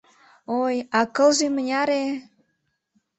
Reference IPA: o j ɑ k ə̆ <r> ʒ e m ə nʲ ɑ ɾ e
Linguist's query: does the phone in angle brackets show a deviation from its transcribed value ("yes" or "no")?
yes